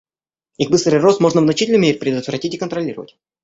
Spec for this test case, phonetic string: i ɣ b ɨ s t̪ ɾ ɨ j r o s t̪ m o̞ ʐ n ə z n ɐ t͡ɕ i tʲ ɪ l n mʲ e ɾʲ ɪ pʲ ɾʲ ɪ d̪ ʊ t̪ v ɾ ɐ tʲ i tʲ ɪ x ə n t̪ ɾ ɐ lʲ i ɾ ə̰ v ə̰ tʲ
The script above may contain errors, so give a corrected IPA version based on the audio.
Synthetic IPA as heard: i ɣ b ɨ s t̪ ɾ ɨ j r o s t̪ m o̞ ʐ n ə v n ɐ t͡ɕ i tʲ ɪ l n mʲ e ɾʲ ɪ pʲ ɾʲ ɪ d̪ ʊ t̪ v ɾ ɐ tʲ i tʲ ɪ k ə n t̪ ɾ ɐ lʲ i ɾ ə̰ v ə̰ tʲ

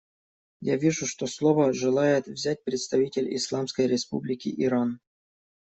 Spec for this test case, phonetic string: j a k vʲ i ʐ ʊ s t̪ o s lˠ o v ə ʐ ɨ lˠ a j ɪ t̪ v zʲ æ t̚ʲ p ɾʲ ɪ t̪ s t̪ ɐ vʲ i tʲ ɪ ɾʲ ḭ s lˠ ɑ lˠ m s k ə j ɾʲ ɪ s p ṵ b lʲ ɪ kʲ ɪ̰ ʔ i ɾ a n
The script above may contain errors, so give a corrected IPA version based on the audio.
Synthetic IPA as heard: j a vʲ i ʐ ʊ ʂ t̪ o s lˠ o v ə ʐ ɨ lˠ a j ɪ t̪ v zʲ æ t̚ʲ p ɾʲ ɪ t̪ s t̪ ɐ vʲ i tʲ ɪ lʲ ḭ s lˠ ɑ m s k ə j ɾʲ ɪ s p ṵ b lʲ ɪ kʲ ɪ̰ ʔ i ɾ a n

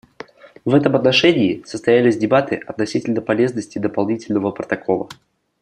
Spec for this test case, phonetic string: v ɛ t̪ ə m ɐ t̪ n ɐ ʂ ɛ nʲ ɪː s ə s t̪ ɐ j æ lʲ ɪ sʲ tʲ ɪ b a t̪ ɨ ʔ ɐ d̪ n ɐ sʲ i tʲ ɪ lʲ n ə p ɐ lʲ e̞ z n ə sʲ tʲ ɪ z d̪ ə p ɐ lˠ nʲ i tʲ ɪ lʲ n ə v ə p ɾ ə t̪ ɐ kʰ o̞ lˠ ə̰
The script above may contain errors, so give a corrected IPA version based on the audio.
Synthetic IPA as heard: v ɛ t̪ ə m ɐ t̪ n ɐ ʂ ɛ nʲ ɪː s ə s t̪ ɐ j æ lʲ ɪ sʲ dʲ ɪ b a t̪ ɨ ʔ ɐ t̪ n ɐ sʲ i tʲ ɪ lʲ n ə p ɐ lʲ e̞ z n ə sʲ tʲ ɪ d̪ ə p ɐ lˠ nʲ i tʲ ɪ lʲ n ə v ə p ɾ ə t̪ ɐ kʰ o̞ lˠ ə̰

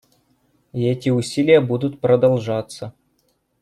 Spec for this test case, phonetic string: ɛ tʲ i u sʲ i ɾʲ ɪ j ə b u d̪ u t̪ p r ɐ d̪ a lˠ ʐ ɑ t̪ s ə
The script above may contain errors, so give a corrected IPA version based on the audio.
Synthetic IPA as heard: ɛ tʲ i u sʲ i lʲ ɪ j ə b u d̪ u t̪ p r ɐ d̪ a lˠ ʐ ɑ t̪ s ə

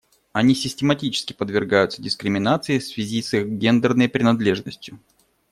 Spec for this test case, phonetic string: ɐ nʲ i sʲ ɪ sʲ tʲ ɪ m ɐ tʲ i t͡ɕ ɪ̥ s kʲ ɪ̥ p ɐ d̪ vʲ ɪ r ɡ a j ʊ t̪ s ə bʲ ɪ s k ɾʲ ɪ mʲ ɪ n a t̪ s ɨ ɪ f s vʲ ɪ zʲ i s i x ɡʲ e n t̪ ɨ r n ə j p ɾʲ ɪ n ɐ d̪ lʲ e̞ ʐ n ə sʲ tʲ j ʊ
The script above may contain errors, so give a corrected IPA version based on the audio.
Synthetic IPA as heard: ɐ nʲ i sʲ ɪ sʲ tʲ ɪ m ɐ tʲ i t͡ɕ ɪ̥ s kʲ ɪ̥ p ə d̪ vʲ ɪ r ɡ a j ʊ t̪ s ə dʲ ɪ s k ɾʲ ɪ mʲ ɪ n a t̪ s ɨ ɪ f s vʲ ɪ zʲ i s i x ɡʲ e n d̪ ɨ r n ə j p ɾʲ ɪ n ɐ d̪ lʲ e̞ ʐ n ə sʲ tʲ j ʊ

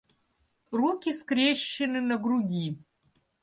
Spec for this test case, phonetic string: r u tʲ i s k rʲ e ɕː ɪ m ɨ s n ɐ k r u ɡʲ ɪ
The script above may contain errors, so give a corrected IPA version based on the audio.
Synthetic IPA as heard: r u kʲ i s k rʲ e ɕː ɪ n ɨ n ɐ ɡ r u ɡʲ i

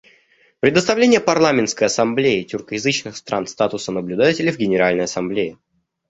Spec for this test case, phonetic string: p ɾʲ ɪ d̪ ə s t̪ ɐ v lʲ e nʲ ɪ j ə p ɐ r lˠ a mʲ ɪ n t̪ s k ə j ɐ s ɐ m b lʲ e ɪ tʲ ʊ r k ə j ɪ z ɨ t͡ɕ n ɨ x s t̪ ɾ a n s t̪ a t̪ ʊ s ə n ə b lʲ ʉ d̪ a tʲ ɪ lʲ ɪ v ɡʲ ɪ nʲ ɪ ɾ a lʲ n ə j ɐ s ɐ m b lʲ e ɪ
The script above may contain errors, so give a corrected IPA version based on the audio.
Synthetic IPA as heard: p ɾʲ ɪ d̪ ə s t̪ ɐ v lʲ e nʲ ɪ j ə p ɐ r lˠ a mʲ ɪ n t̪ s k ə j ɐ s ɐ m b lʲ e ɪ tʲ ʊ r k ə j ɪ z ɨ t͡ɕ n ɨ x s t̪ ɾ a n s t̪ a t̪ ʊ s ə n ə b lʲ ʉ d̪ a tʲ ɪ lʲ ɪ v ɡʲ ɪ nʲ ɪ ɾ a lʲ n ə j ɐ s ɐ m b lʲ e ɪ

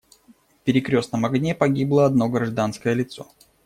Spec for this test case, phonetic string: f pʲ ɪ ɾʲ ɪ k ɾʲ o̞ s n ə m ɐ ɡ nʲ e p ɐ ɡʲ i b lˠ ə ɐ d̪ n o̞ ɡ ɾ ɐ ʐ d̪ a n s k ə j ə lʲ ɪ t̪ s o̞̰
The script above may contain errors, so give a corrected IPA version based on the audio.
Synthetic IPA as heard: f pʲ ɪ ɾʲ ɪ k ɾʲ o̞ s n ə m ɐ ɡ nʲ e p ɐ ɡʲ i b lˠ ə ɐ d̪ n o̞ ɡ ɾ ɐ ʐ d̪ a n s k ə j ə lʲ ɪ t̪ s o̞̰

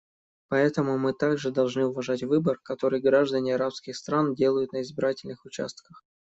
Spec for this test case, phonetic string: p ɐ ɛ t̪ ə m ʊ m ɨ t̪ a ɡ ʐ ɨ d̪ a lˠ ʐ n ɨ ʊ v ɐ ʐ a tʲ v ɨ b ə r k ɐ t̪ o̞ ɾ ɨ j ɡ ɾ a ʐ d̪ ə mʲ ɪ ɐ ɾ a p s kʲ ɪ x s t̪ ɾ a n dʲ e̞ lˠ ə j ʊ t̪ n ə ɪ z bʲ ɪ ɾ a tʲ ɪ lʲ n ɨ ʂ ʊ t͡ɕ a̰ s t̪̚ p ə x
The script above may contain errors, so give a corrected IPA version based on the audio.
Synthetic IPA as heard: p ɐ ɛ t̪ ə m ʊ m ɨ t̪ a ɡ ʐ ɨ d̪ ɐ lˠ ʐ n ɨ ʊ v ɐ ʐ a tʲ v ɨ b ə r k ɐ t̪ o̞ ɾ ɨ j ɡ ɾ a ʐ d̪ ə nʲ ɪ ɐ ɾ a p s kʲ ɪ x s t̪ ɾ a n dʲ e̞ lˠ ə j ʊ t̪ n ə ɪ z bʲ ɪ ɾ a tʲ ɪ lʲ n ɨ x ʊ t͡ɕ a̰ s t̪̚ k ə x

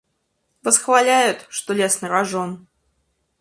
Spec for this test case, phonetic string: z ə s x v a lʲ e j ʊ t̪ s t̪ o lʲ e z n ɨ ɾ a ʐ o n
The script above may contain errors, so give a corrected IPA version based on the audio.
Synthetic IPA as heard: v ə s x v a lʲ æ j ʊ t̪ ʂ t̪ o lʲ e s n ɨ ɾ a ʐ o n

